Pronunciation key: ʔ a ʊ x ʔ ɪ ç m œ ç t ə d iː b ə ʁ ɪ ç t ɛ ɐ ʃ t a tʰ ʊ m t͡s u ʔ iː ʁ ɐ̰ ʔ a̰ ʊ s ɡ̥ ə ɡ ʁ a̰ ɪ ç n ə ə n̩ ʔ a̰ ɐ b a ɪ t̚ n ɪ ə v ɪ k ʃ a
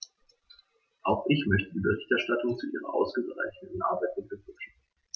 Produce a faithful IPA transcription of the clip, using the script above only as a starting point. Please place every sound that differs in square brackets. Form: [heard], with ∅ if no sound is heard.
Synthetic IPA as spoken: ʔ a ʊ x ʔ ɪ ç m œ ç t ə d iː b ə ʁ ɪ ç t ɛ ɐ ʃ t a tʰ ʊ [ŋ] t͡s u ʔ iː ʁ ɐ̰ ʔ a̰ ʊ s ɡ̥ ə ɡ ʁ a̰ ɪ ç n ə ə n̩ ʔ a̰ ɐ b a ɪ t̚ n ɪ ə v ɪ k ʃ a

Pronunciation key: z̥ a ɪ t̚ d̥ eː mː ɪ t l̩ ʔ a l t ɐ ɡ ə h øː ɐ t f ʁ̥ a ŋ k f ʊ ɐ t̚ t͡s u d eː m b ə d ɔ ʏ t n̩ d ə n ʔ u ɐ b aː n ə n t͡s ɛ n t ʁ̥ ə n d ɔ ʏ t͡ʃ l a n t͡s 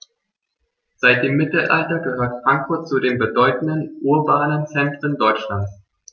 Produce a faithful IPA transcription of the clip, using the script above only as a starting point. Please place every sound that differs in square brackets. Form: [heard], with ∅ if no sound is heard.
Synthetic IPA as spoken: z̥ a ɪ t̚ d̥ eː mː ɪ t l̩ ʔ a l t ɐ ɡ ə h øː ɐ t f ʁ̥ a ŋ k f ʊ ɐ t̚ t͡s u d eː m b ə d ɔ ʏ t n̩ d ə n ʔ u ɐ b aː n ə n t͡s ɛ n t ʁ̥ ə n d ɔ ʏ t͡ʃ l a n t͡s

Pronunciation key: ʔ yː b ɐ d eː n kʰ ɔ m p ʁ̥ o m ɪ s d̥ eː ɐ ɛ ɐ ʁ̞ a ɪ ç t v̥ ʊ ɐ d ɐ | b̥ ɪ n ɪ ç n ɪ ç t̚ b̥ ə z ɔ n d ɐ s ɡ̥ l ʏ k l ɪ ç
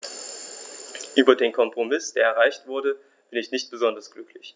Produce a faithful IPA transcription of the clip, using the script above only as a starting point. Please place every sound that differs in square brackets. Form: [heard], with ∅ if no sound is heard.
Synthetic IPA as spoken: ʔ yː b ɐ d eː n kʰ ɔ m p ʁ̥ o m ɪ s d̥ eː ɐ ɛ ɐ ʁ̞ a ɪ ç t v̥ ʊ ɐ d [ə] | b̥ ɪ n ɪ ç n ɪ ç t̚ b̥ ə z ɔ n d ɐ s ɡ̥ l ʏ k l ɪ ç

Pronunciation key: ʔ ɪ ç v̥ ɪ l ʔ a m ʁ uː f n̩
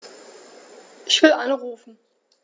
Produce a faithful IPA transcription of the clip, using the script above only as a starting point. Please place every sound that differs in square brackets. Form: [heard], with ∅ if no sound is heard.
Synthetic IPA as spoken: ʔ ɪ ç v̥ ɪ l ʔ a [n] ʁ uː f n̩

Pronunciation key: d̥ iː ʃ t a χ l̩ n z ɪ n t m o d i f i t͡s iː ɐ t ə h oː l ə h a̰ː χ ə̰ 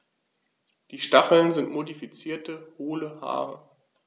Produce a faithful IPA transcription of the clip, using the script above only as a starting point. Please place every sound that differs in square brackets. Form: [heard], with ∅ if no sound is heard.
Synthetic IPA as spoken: d̥ iː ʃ t a χ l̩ n z ɪ n t m o d i f i t͡s iː ɐ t ə h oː l ə h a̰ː [ʁ] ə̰

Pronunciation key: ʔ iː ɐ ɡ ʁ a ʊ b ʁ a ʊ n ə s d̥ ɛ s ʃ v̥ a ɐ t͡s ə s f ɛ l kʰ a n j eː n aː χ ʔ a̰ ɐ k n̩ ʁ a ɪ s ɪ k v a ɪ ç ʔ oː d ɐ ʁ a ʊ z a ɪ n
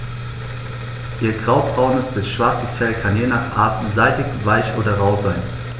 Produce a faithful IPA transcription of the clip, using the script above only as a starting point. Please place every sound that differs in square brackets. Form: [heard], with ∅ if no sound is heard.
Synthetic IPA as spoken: ʔ iː ɐ ɡ ʁ a ʊ b ʁ a ʊ n ə s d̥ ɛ s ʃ v̥ a ɐ t͡s ə s f ɛ l kʰ a n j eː n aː χ ʔ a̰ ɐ [t] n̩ [z] a ɪ [t] ɪ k v a ɪ ç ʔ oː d ɐ ʁ a ʊ z a ɪ n

